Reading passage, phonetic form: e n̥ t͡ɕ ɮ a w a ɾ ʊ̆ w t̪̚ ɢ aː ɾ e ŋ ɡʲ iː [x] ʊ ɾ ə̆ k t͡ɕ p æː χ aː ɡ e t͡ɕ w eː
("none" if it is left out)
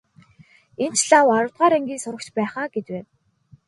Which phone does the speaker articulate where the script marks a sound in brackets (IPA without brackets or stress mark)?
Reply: s